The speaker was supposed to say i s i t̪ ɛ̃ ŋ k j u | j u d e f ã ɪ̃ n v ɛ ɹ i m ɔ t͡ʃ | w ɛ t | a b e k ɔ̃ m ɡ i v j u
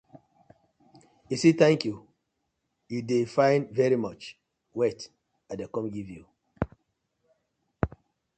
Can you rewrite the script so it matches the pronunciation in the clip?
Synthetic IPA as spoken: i s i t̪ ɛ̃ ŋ k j u | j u d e f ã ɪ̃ n v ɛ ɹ i m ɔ t͡ʃ | w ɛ t | a d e k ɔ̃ m ɡ i v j u